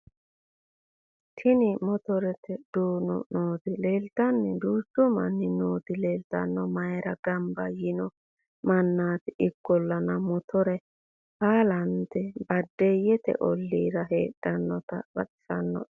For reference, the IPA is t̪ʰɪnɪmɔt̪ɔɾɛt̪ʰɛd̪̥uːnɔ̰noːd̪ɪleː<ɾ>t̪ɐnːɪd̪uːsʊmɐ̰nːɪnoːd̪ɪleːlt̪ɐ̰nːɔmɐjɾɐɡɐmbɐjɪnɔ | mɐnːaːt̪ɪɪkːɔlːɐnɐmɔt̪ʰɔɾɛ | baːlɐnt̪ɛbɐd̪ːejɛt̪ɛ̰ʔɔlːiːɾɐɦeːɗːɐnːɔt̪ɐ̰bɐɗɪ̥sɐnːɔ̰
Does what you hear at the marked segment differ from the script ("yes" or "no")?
yes